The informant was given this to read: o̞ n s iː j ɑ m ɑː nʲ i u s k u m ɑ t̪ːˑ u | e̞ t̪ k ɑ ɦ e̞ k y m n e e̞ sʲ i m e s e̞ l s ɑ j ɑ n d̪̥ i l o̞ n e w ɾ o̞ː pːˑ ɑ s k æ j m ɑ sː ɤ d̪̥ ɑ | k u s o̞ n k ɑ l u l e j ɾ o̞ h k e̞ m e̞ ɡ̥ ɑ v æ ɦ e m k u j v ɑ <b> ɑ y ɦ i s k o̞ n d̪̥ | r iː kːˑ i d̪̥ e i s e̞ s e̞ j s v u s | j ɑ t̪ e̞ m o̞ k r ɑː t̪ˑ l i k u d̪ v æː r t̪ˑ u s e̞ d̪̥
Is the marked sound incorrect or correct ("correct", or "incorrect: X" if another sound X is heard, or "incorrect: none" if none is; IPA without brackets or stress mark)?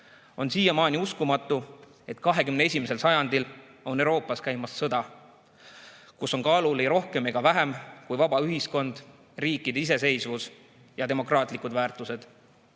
correct